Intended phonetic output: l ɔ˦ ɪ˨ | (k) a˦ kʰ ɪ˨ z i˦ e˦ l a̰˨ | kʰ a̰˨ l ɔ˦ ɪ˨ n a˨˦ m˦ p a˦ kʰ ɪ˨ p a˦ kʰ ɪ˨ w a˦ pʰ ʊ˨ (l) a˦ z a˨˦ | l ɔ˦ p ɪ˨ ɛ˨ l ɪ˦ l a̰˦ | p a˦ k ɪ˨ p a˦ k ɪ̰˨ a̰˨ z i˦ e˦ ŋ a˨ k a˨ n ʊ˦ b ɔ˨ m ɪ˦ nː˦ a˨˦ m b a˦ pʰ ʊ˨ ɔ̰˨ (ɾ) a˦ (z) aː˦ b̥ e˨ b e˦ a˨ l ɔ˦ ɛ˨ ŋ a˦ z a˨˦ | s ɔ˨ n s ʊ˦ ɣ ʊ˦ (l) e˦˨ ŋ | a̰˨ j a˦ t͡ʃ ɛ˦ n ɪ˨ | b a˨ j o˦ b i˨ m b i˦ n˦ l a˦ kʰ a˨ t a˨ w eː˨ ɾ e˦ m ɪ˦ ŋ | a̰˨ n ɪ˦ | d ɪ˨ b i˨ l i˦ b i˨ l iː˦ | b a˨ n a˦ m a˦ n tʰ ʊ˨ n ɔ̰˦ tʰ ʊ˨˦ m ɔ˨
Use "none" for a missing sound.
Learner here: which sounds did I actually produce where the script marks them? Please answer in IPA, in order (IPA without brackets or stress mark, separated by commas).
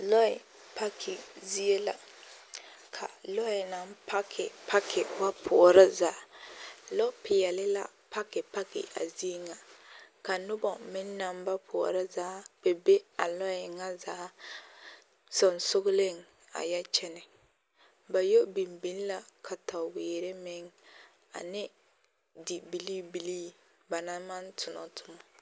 p, ɾ, ɾ, z, l